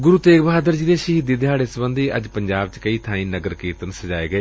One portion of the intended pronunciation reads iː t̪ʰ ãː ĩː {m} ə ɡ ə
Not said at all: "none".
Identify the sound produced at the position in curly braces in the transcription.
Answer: n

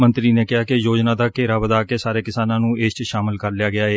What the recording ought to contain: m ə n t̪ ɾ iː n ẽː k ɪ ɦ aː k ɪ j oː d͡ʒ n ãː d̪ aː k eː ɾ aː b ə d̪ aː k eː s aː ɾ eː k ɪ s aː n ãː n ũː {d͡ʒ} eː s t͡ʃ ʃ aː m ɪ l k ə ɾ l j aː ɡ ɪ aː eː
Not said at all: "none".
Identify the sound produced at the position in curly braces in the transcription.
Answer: none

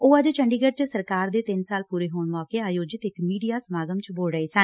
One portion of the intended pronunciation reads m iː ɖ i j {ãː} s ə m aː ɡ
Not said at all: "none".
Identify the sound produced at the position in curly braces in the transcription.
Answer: aː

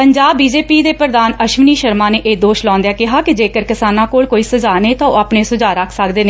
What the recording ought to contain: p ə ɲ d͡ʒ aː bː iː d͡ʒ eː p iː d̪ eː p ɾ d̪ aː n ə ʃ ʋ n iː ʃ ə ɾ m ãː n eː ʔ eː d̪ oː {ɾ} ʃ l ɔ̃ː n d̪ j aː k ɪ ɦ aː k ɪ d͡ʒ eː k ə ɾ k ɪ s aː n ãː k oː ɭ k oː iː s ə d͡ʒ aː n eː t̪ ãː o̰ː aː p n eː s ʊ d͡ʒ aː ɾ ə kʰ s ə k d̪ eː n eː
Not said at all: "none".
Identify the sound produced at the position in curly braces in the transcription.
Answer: none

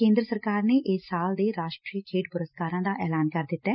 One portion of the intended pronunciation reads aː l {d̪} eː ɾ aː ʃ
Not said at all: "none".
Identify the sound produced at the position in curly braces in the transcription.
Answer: d̪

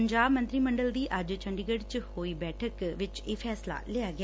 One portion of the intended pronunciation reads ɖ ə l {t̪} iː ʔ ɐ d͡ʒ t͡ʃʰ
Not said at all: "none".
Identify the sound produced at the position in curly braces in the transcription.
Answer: d̪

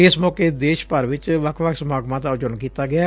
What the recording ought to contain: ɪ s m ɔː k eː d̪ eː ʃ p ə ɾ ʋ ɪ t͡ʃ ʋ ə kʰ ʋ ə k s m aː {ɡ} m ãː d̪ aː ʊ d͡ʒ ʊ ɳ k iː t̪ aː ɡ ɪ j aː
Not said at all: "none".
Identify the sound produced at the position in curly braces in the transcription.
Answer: ɡ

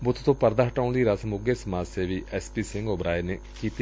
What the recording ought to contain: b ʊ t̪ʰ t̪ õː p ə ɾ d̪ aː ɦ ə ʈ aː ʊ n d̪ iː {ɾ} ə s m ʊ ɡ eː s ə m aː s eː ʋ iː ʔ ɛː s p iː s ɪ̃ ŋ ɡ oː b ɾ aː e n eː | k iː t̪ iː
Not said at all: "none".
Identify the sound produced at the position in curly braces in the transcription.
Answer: ɾ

